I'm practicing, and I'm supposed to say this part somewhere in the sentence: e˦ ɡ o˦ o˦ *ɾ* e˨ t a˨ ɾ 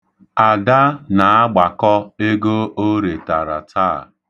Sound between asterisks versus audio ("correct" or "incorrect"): correct